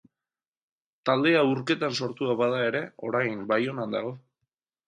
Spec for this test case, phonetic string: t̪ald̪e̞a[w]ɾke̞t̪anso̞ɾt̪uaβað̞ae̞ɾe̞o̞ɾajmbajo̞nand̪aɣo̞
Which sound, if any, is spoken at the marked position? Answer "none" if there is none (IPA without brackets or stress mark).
u